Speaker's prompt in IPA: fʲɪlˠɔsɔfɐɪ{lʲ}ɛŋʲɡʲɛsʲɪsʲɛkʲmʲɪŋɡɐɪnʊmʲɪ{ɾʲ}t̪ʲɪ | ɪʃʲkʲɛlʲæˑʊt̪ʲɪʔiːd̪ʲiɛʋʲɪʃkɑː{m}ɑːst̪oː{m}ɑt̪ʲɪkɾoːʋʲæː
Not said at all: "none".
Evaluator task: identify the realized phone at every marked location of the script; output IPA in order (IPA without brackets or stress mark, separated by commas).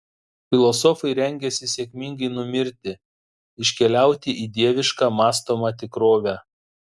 ɾʲ, ɾʲ, m, m